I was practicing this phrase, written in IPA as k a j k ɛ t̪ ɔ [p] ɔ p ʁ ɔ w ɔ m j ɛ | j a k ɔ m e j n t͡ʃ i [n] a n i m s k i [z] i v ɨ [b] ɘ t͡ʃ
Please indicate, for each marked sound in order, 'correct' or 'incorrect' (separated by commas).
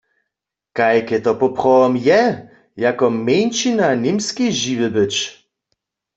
correct, correct, incorrect, correct